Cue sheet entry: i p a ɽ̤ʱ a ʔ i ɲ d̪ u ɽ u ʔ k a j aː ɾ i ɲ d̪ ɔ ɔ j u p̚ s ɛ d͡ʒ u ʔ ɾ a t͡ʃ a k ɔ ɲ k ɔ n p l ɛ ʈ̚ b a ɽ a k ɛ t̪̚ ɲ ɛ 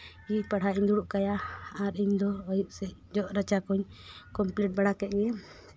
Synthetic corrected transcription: i p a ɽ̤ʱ a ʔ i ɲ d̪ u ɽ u ʔ k a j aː ɾ i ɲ d̪ ɔ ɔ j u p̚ s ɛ d͡ʒ ɔ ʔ ɾ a t͡ʃ a k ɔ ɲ k ɔ m p l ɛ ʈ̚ b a ɽ a k ɛ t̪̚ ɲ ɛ